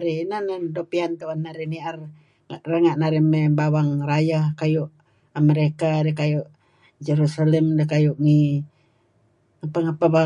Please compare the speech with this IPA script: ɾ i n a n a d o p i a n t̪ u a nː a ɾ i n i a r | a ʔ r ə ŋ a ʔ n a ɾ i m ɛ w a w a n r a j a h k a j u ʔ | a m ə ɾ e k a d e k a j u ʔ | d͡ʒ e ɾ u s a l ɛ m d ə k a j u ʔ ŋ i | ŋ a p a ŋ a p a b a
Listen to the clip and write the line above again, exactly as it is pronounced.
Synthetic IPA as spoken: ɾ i n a n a d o p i a n t̪ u a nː a ɾ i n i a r | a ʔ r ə ŋ a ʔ n a ɾ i m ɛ b a w a ŋ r a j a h k a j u ʔ | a m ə ɾ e k a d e k a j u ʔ | d͡ʒ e ɾ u s a l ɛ m d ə k a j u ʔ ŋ i | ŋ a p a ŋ a p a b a